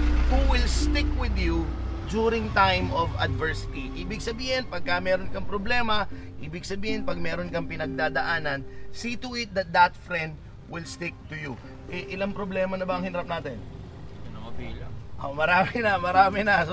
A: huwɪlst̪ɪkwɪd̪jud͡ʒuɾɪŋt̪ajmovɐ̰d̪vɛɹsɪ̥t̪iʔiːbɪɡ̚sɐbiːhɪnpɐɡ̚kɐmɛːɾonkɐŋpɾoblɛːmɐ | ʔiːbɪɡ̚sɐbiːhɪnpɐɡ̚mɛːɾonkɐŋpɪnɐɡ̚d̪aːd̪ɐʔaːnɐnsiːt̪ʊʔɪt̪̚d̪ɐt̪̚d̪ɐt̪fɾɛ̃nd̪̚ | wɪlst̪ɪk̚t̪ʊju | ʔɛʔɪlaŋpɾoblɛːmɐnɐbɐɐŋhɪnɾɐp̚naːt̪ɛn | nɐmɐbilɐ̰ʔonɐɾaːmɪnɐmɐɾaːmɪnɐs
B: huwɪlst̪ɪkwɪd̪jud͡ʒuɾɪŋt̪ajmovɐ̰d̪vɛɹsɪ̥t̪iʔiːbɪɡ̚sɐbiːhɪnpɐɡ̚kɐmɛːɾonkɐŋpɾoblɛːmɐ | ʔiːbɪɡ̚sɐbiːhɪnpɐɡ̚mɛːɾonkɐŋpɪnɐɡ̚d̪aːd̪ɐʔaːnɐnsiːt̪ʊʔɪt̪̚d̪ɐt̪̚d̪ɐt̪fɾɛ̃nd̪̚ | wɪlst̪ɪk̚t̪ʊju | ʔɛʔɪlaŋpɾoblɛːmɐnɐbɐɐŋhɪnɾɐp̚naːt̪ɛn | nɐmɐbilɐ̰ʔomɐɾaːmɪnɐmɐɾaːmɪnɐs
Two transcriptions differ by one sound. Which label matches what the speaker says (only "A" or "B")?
B